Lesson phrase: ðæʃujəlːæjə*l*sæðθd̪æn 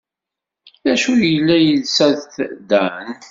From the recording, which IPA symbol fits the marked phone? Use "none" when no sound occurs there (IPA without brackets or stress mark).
l